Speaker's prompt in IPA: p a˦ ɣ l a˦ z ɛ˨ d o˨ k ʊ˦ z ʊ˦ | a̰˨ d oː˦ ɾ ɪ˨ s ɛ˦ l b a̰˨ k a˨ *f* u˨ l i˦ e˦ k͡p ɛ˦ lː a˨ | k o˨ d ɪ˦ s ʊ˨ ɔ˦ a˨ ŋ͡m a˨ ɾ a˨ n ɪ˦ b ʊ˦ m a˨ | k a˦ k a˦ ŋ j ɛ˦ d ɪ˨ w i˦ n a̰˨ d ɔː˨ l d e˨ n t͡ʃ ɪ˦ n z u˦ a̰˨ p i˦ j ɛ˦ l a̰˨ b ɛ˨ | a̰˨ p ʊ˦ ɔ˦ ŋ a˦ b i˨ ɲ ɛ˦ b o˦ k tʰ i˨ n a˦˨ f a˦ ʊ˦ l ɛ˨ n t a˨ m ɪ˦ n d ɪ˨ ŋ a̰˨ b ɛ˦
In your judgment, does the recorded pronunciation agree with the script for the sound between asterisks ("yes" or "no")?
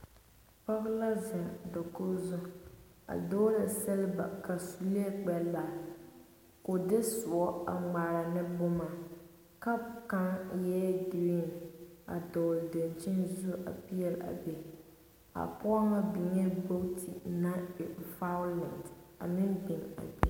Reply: no